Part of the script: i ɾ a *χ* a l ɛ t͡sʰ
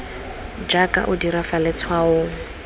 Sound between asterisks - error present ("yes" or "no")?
yes